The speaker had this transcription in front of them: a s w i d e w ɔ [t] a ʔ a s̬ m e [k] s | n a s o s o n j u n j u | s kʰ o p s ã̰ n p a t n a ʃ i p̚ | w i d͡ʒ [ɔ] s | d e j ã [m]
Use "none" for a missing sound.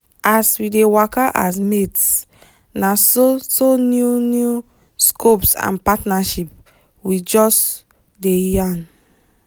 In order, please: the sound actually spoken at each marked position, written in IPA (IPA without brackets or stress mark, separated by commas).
k, t, ɔ, n